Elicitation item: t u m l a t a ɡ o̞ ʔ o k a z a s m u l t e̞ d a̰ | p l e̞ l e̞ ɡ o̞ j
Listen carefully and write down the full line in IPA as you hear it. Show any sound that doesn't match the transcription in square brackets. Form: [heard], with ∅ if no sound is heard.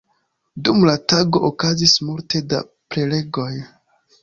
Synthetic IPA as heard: [d] u m l a t a ɡ o̞ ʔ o k a z [i] s m u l t e̞ d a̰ | p [ɾ] e̞ l e̞ ɡ o̞ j